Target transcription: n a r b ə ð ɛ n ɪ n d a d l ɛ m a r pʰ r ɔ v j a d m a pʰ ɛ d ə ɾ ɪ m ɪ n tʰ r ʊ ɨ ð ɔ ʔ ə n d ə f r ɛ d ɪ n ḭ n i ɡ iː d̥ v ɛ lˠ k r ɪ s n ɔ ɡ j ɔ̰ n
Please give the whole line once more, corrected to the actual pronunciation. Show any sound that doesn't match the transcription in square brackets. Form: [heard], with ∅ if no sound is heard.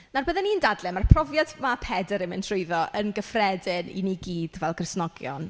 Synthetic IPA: n a r b ə ð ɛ n [i] n d a d l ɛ m a r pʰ r ɔ v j a d m a pʰ ɛ d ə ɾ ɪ m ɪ n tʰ r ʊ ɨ ð ɔ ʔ ə n [ɡ] ə f r ɛ d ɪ n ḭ n i ɡ iː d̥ v ɛ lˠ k r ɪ s n ɔ ɡ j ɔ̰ n